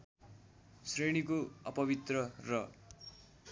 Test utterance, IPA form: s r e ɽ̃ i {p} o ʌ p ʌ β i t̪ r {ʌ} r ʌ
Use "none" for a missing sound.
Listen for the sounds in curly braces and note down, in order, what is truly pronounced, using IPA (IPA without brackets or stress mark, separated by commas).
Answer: k, ʌ